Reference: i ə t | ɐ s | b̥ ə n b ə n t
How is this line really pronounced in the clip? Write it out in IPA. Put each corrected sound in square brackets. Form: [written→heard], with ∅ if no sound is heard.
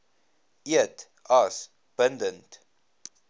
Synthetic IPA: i ə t | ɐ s | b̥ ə n [b→d] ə n t